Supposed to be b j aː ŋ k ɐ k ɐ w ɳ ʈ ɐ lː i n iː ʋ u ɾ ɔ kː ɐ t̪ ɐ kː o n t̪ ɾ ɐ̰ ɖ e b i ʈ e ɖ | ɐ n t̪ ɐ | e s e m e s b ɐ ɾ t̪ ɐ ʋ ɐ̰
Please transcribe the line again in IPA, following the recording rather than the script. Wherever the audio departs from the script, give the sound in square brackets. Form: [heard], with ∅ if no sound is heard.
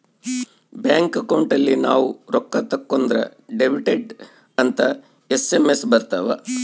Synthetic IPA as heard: b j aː ŋ k ɐ k ɐ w ɳ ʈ ɐ lː i n [aː] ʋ u ɾ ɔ kː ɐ t̪ ɐ kː o n [d̪] ɾ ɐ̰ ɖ e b i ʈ e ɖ | ɐ n t̪ ɐ | e s e m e s b ɐ ɾ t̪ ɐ ʋ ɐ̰

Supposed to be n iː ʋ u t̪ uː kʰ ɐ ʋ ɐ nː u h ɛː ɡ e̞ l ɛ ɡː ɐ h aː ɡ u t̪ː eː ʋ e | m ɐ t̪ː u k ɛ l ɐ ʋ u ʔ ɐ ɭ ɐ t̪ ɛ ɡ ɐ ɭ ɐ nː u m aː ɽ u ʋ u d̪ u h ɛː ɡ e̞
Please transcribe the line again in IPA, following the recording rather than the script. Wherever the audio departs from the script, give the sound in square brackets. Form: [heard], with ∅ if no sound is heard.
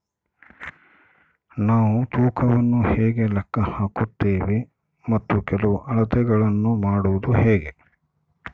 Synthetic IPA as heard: n [aː] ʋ u t̪ uː kʰ ɐ ʋ ɐ nː u h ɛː ɡ e̞ l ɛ [kː] ɐ h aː [k] u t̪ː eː ʋ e | m ɐ t̪ː u k ɛ l ɐ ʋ u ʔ ɐ ɭ ɐ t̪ ɛ ɡ ɐ ɭ ɐ nː u m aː ɽ u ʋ u d̪ u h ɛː ɡ e̞

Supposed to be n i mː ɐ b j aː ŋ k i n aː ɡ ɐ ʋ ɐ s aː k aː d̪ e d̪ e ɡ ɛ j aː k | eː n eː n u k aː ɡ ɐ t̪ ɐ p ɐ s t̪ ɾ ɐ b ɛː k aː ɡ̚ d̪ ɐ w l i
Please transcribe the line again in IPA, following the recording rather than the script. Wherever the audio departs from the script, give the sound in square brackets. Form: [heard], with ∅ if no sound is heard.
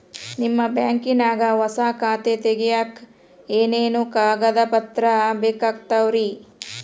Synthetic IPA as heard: n i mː ɐ b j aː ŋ k i n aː ɡ ɐ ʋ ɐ s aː k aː [t̪] e [t̪] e ɡ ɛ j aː k | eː n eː n u k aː ɡ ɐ [d̪] ɐ p ɐ [∅] t̪ ɾ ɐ b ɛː k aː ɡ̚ [t̪] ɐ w [ɾ] i

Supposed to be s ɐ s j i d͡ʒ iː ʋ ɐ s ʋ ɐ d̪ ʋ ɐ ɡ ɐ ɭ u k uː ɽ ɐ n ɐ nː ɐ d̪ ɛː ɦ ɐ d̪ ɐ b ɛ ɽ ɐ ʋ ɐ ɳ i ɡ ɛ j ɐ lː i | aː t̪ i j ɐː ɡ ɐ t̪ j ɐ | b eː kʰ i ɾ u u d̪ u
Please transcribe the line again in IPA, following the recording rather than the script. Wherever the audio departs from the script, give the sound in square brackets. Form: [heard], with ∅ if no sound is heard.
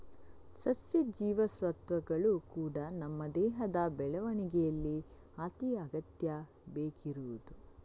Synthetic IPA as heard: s ɐ s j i d͡ʒ iː ʋ ɐ s ʋ ɐ [t̪] ʋ ɐ ɡ ɐ ɭ u k uː ɽ ɐ n ɐ [mː] ɐ d̪ ɛː ɦ ɐ d̪ ɐ b ɛ [ɭ] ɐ ʋ ɐ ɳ i ɡ ɛ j ɐ lː i | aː t̪ i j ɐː ɡ ɐ t̪ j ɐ | b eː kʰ i ɾ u u d̪ u

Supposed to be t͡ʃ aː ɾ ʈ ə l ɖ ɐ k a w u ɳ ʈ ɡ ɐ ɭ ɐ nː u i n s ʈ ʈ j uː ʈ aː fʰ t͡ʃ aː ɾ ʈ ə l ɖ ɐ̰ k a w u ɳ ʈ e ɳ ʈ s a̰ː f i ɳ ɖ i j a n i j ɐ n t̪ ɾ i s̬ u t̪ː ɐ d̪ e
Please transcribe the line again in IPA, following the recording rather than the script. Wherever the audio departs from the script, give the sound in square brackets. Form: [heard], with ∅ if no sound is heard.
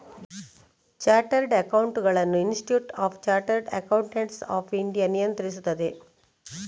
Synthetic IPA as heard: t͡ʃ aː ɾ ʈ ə [ɾ] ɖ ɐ k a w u ɳ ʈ ɡ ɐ ɭ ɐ nː u i n s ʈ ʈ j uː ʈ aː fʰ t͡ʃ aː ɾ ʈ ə [ɾ] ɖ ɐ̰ k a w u ɳ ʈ e ɳ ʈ s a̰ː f i ɳ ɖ i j a n i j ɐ n t̪ ɾ i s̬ u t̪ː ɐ d̪ e

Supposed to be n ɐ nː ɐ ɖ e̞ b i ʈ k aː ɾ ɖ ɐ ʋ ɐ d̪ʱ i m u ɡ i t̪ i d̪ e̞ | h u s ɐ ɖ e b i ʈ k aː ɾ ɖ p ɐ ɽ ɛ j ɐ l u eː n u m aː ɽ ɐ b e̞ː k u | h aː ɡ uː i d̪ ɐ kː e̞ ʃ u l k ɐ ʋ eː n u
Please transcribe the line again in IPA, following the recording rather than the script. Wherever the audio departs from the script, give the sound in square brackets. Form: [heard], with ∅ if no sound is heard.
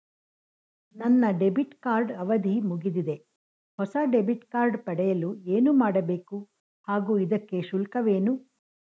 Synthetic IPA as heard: n ɐ nː ɐ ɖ e̞ b i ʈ k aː ɾ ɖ ɐ ʋ ɐ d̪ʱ i m u ɡ i [d̪] i d̪ e̞ | h [ɔ] s ɐ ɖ e b i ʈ k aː ɾ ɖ p ɐ ɽ ɛ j ɐ l u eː n u m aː ɽ ɐ b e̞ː k u | h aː ɡ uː i d̪ ɐ kː e̞ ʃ u l k ɐ ʋ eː n u

